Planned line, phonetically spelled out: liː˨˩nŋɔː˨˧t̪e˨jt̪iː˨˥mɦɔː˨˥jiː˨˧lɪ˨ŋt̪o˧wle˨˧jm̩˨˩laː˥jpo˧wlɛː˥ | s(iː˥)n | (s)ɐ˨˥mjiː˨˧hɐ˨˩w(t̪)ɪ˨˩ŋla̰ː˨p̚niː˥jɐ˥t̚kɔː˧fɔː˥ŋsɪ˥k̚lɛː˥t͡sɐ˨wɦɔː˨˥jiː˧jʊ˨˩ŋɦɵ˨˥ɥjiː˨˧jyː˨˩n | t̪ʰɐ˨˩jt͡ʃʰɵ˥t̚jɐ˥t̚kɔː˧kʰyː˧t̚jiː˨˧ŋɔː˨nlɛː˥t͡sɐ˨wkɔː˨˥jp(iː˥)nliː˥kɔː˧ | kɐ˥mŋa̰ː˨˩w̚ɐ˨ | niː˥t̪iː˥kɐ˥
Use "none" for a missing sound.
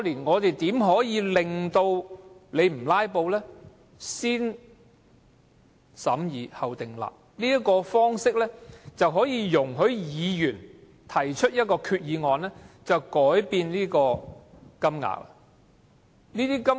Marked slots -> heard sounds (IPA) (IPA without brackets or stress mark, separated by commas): iː˥, s, t̪, iː˧